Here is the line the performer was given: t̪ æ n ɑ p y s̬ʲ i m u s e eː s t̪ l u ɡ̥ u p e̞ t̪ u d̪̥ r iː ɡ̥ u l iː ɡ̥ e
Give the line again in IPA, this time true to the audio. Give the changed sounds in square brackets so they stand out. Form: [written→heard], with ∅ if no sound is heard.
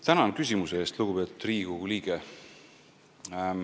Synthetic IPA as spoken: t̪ æ n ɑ [p→k] y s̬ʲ i m u s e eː s t̪ l u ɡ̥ u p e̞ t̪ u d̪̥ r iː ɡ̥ u l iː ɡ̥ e